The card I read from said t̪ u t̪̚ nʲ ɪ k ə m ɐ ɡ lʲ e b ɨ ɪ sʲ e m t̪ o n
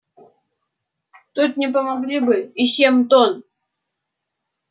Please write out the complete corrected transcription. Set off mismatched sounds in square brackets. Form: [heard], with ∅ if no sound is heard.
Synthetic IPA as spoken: t̪ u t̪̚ nʲ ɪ [p] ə m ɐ ɡ lʲ [i] b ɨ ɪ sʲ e m t̪ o n